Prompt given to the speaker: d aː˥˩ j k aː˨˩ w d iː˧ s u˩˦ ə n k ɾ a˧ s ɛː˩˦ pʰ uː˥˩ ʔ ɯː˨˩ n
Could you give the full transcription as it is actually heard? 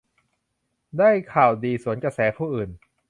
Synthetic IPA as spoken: d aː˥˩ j kʰ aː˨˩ w d iː˧ s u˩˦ ə n k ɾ a˧ s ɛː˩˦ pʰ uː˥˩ ʔ ɯː˨˩ n

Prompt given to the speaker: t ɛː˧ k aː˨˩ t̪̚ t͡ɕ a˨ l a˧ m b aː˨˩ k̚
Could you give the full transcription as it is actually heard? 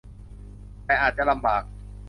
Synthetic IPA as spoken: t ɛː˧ ʔ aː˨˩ t̪̚ t͡ɕ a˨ l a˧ m b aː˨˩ k̚

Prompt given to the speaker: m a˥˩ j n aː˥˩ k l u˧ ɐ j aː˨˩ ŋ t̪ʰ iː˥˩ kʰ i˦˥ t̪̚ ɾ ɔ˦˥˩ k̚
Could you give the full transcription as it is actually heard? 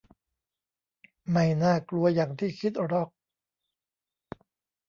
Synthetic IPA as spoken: m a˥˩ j n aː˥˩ k l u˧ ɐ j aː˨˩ ŋ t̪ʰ iː˥˩ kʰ i˦˥ t̪̚ ɾ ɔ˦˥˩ k̚

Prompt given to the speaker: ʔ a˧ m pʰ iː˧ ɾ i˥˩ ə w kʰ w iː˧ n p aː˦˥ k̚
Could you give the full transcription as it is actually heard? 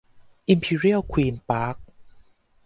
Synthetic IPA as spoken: ʔ i˧ m pʰ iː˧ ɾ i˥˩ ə w kʰ w iː˧ n p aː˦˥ k̚

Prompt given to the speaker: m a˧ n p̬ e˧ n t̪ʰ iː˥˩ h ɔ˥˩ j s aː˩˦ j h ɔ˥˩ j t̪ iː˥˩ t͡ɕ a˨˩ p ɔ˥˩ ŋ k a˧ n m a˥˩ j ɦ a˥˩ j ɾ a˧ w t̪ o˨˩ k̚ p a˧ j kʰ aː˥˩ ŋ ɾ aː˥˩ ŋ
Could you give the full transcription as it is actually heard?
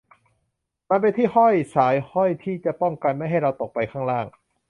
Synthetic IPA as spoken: m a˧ n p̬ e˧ n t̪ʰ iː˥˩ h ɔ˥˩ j s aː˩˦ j h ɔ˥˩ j t̪ʰ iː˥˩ t͡ɕ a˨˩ p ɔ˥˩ ŋ k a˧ n m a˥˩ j ɦ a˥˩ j ɾ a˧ w t̪ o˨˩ k̚ p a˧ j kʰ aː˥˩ ŋ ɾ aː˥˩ ŋ

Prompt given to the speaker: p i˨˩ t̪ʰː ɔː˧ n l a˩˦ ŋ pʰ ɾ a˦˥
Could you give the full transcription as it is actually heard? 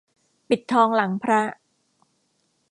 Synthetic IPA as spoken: p i˨˩ t̪ʰː ɔː˧ ŋ l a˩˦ ŋ pʰ ɾ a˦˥

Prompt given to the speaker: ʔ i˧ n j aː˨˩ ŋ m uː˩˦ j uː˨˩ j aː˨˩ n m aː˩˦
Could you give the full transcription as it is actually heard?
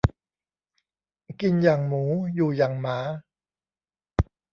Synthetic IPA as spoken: k i˧ n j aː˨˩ ŋ m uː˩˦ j uː˨˩ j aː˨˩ ŋ m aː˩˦

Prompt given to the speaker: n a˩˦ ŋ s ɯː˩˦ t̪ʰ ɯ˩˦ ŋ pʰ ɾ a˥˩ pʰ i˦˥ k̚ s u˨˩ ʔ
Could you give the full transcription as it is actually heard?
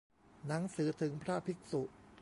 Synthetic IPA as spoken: n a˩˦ ŋ s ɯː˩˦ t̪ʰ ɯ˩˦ ŋ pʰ ɾ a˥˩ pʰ i˦˥ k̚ s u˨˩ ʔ

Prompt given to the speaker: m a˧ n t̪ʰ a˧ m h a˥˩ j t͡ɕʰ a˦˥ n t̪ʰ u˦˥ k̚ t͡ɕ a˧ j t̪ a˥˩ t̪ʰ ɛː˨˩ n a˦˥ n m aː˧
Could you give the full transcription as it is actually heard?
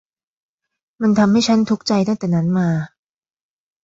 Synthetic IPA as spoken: m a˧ n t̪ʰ a˧ m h a˥˩ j t͡ɕʰ a˦˥ n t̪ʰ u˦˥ k̚ t͡ɕ a˧ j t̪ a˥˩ t̪ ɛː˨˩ n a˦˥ n m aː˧

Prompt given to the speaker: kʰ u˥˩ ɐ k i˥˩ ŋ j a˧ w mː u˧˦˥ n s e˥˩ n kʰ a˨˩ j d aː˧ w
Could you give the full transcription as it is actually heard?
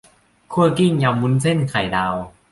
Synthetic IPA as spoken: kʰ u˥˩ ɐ k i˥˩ ŋ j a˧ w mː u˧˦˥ n s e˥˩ n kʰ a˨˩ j d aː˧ w

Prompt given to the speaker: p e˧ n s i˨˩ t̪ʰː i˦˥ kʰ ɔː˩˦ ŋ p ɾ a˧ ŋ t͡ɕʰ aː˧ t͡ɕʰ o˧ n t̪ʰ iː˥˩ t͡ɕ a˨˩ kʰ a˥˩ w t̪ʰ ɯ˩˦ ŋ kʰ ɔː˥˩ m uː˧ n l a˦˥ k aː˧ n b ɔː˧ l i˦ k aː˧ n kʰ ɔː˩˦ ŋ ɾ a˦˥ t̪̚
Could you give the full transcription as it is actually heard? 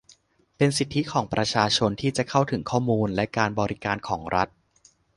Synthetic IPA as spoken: p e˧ n s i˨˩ t̪ʰː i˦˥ kʰ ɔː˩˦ ŋ p ɾ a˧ t͡ɕʰ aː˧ t͡ɕʰ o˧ n t̪ʰ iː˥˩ t͡ɕ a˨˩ kʰ a˥˩ w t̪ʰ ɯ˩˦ ŋ kʰ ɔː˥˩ m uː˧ n l ɛ˦˥ k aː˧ n b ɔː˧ ɾ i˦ k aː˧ n kʰ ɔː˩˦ ŋ ɾ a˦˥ t̪̚

